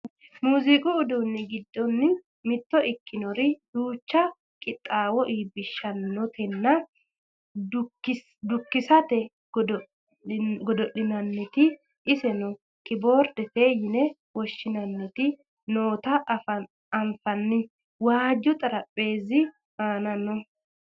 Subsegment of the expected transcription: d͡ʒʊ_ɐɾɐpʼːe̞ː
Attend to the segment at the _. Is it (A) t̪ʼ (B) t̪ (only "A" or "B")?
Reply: A